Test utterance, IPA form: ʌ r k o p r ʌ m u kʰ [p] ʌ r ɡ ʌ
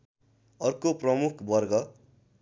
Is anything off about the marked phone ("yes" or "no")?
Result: yes